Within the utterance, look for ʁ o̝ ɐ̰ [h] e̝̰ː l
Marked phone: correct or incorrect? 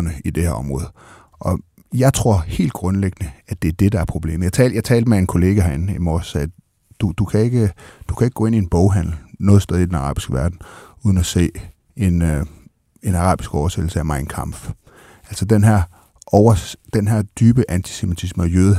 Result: correct